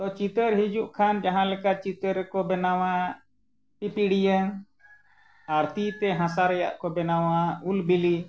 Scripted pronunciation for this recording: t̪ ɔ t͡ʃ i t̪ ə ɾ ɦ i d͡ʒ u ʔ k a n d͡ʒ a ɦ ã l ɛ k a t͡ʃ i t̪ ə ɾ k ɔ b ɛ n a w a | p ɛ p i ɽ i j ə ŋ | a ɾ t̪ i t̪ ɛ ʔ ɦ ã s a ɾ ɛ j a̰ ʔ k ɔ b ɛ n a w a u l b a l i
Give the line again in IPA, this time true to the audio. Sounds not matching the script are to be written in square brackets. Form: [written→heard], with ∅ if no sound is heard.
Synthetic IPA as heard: t̪ ɔ t͡ʃ i t̪ ə ɾ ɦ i d͡ʒ u ʔ [k→kʰ] a n d͡ʒ a ɦ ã l ɛ k a t͡ʃ i t̪ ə ɾ k ɔ b ɛ n a w a | p [ɛ→i] p i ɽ i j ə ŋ | a ɾ t̪ i t̪ ɛ [ʔ→∅] ɦ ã s a ɾ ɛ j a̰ ʔ k ɔ b ɛ n a w a u l b [a→i] l i

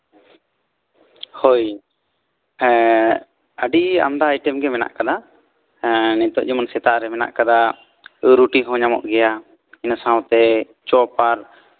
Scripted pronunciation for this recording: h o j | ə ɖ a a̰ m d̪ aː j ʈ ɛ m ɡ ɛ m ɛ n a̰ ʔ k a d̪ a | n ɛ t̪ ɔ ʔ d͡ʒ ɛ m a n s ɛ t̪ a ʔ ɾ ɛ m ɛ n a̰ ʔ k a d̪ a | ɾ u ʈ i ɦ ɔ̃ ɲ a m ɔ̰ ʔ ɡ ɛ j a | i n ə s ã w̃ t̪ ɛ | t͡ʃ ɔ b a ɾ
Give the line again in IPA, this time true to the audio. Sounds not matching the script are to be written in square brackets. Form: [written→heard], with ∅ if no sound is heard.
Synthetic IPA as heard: h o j | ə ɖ [a→i] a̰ m d̪ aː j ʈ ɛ m ɡ ɛ m ɛ n a̰ ʔ k a d̪ a | n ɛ t̪ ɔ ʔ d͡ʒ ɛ m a n s ɛ t̪ a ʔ ɾ ɛ m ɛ n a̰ ʔ k a d̪ a | ɾ u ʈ i ɦ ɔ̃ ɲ a m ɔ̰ ʔ ɡ ɛ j a | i n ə s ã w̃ t̪ ɛ | t͡ʃ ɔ [b→p] a ɾ

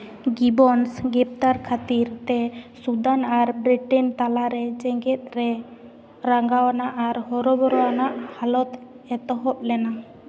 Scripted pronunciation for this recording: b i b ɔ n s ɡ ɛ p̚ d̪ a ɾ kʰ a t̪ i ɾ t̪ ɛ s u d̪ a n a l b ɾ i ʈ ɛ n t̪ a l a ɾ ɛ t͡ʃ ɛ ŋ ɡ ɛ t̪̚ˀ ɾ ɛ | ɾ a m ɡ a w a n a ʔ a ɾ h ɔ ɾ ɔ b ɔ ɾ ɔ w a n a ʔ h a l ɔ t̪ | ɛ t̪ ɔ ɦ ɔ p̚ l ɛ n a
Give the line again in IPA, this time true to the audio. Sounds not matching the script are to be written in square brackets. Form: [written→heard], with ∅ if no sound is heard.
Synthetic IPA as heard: [b→ɡ] i b ɔ n s ɡ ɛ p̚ [d̪→t̪] a ɾ kʰ a t̪ i ɾ t̪ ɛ s u d̪ a n a [l→ɾ] b ɾ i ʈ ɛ n t̪ a l a ɾ ɛ t͡ʃ ɛ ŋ ɡ ɛ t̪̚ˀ ɾ ɛ | ɾ a [m→ŋ] ɡ a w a n a ʔ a ɾ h ɔ ɾ ɔ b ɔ ɾ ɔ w a n a ʔ h a l ɔ t̪ | ɛ t̪ ɔ ɦ ɔ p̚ l ɛ n a

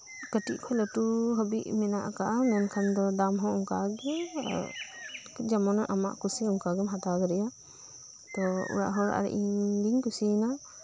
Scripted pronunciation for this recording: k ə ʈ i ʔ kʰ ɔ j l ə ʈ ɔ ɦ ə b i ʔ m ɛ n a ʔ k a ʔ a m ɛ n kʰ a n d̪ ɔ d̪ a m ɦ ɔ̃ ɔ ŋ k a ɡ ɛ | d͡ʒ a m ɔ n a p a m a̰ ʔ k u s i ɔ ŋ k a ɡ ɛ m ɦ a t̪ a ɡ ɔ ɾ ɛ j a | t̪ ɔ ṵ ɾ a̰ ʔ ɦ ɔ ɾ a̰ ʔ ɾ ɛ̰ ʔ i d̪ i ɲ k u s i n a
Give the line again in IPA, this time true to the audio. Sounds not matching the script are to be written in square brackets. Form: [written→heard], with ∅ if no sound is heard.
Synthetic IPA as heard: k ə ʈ i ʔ kʰ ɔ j l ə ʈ [ɔ→u] ɦ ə b i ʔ m ɛ n a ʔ k a ʔ a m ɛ n kʰ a n d̪ ɔ d̪ a m ɦ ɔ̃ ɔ ŋ k a ɡ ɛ | d͡ʒ a m ɔ n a [p→ʔ] a m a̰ ʔ k u s i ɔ ŋ k a ɡ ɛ m ɦ a t̪ a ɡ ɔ ɾ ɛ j a | t̪ ɔ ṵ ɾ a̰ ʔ ɦ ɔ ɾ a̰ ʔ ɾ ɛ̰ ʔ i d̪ i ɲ k u s i n a

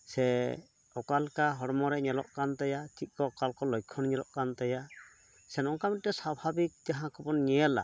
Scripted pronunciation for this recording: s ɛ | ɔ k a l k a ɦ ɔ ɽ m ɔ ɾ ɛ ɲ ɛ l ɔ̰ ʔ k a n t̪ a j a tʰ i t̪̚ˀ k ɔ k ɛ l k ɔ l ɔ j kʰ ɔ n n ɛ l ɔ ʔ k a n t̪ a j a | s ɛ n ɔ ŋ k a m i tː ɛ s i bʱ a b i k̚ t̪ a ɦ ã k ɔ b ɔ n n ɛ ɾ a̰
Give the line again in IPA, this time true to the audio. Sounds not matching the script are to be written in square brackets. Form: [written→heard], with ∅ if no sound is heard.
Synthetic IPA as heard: s ɛ | ɔ k a l k a ɦ ɔ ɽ m ɔ ɾ ɛ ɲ ɛ l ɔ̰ ʔ k a n t̪ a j a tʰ i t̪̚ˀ k ɔ k [ɛ→a] l k ɔ l ɔ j kʰ ɔ n [n→ɲ] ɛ l ɔ ʔ k a n t̪ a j a | s ɛ n ɔ ŋ k a m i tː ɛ s [i→a] bʱ a b i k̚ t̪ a ɦ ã k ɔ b ɔ n [n→ɲ] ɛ [ɾ→l] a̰

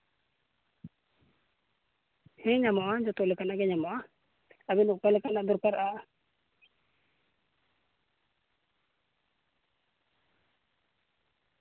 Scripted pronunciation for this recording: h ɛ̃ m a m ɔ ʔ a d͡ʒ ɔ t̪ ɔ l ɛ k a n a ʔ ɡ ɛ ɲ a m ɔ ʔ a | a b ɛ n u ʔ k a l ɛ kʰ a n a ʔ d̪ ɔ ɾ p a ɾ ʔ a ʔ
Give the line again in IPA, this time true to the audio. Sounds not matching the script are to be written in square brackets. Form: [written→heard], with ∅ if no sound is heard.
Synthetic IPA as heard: h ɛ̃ [m→ɲ] a m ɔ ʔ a d͡ʒ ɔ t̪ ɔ l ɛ k a n a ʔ ɡ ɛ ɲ a m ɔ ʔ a | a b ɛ n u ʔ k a l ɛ [kʰ→k] a n a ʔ d̪ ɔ ɾ p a ɾ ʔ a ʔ

